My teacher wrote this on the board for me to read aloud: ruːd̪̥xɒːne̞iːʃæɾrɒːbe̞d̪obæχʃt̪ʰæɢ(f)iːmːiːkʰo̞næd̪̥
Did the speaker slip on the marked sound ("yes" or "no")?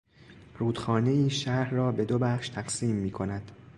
yes